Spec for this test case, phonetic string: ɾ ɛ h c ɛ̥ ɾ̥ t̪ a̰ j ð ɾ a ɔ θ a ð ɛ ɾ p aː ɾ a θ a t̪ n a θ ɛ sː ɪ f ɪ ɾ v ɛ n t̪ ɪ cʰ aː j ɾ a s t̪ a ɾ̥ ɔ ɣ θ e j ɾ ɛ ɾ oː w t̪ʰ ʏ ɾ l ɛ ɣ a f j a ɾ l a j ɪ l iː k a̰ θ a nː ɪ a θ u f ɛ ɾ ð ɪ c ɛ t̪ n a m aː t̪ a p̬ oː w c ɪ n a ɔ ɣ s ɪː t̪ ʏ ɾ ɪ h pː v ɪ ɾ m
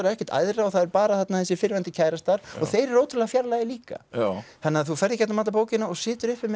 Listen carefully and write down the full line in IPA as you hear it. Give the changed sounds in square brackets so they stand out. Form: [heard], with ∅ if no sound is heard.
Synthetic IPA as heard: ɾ ɛ h c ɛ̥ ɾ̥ t̪ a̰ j ð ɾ a ɔ θ a ð ɛ ɾ p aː ɾ a θ a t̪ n a θ ɛ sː ɪ f ɪ ɾ v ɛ n t̪ ɪ cʰ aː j ɾ a s t̪ a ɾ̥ ɔ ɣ θ e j ɾ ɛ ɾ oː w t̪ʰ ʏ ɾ l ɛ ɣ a f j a ɾ l a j ɪ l iː k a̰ θ a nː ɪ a θ u f ɛ ɾ ð ɪ c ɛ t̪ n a m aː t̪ a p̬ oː w c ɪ n a ɔ ɣ s ɪː t̪ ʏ ɾ ɪ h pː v ɪ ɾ m

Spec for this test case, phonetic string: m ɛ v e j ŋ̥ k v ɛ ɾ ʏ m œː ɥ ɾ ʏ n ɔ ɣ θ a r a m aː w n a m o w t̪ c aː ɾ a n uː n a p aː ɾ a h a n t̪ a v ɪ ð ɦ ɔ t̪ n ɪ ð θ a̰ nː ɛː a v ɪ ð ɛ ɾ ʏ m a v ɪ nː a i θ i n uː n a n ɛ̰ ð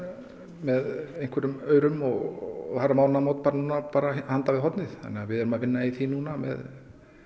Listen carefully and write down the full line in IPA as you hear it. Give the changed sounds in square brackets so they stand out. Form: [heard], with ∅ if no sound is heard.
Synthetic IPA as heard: m ɛ [ð] e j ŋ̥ k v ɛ ɾ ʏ m œː ɥ ɾ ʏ [m] ɔ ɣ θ a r a m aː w n a m o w t̪ [p] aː ɾ a n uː n a p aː ɾ a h a n t̪ a v ɪ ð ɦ ɔ t̪ n ɪ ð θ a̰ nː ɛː a v ɪ ð ɛ ɾ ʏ m a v ɪ nː a i θ i n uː n a [m] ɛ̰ ð

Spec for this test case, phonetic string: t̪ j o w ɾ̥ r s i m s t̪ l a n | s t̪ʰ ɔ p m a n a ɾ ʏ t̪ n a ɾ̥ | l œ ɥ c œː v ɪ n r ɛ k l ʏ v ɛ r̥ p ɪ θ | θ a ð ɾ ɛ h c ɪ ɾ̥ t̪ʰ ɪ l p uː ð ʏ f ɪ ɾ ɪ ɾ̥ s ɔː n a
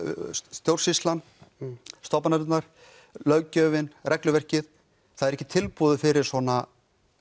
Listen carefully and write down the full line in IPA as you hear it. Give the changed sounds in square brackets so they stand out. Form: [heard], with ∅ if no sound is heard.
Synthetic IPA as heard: t̪ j o w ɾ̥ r s i [∅] s t̪ l a n | s [t̪] ɔ p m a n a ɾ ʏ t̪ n a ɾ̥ | l œ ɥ c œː v ɪ n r ɛ k l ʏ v ɛ r̥ [c] ɪ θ | θ a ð ɾ ɛ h c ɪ [∅] t̪ʰ ɪ l p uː ð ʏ f ɪ ɾ ɪ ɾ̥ s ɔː n a

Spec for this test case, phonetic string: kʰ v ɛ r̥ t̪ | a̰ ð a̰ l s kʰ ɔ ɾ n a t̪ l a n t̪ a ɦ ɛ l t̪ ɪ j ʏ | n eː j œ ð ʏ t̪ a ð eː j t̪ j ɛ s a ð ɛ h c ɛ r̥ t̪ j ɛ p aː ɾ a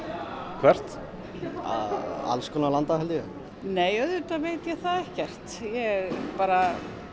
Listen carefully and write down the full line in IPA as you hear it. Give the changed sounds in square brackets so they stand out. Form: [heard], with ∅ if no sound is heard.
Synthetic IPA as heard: kʰ v ɛ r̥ t̪ | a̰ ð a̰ l s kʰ ɔ [∅] n a [∅] l a n t̪ a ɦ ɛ l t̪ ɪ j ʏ | n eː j œ ð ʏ t̪ a [v] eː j t̪ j ɛ [θ] a ð ɛ h c ɛ r̥ t̪ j ɛ p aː ɾ a

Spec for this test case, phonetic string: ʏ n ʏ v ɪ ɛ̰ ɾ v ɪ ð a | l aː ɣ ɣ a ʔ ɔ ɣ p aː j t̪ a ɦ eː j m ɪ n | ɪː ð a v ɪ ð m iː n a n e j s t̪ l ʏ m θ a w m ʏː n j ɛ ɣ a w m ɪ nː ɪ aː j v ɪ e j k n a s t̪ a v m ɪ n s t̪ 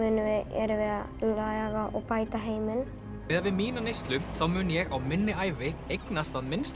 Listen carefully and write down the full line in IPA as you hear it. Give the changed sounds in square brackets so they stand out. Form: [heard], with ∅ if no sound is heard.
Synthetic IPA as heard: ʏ n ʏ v ɪ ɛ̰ ɾ v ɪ ð a | l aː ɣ ɣ a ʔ ɔ ɣ p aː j t̪ a ɦ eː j m ɪ n | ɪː ð a v ɪ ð m iː n a n e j s t̪ l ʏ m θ a w m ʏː n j ɛ ɣ a w m ɪ nː ɪ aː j v ɪ e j k n a s t̪ a [ð] m ɪ n s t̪

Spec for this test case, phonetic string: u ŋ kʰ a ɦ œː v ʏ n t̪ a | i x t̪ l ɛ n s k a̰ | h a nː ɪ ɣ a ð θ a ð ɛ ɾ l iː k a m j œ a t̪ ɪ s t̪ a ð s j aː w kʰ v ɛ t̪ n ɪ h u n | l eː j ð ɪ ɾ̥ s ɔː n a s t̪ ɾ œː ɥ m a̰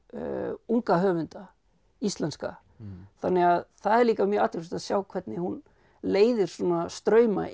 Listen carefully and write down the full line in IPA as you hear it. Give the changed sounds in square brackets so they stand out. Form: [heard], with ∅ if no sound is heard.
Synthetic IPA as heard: u ŋ [k] a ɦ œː v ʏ n t̪ a | i [s] t̪ l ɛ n s k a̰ | [θ] a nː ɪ ɣ a ð θ a ð ɛ ɾ l iː k a m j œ a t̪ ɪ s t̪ a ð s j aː w kʰ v ɛ t̪ n ɪ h u n | l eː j ð ɪ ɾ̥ s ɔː n a s t̪ ɾ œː ɥ m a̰

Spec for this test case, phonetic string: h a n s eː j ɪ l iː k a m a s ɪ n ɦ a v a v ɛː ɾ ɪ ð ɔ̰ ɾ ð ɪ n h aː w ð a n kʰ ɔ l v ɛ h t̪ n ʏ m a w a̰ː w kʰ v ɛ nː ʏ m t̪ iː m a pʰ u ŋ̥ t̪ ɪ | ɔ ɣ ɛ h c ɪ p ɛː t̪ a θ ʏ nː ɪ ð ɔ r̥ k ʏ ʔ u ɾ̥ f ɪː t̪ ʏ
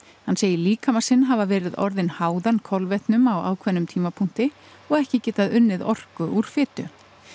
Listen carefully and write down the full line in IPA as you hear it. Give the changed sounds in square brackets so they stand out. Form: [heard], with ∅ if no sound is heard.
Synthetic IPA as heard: h a n s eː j ɪ l iː k a m a s ɪ n ɦ a v a v ɛː ɾ ɪ ð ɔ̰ ɾ ð ɪ n h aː w ð a n kʰ ɔ l v ɛ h t̪ n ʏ m a w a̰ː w kʰ v ɛ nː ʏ m [t̪ʰ] iː m a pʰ u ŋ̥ t̪ ɪ | ɔ ɣ ɛ h c ɪ [c] ɛː t̪ a [ð] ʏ nː ɪ ð ɔ r̥ k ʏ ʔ u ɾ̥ f ɪː t̪ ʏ

